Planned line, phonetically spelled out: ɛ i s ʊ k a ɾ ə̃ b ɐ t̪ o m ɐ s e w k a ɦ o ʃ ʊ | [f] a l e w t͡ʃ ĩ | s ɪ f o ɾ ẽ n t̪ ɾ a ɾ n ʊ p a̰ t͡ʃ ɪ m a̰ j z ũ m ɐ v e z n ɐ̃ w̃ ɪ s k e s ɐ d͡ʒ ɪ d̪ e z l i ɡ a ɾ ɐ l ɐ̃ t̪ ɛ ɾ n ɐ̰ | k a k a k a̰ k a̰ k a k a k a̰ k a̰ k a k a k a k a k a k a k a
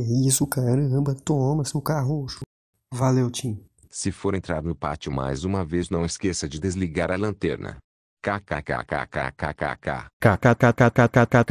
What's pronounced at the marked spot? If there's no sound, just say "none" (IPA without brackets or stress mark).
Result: v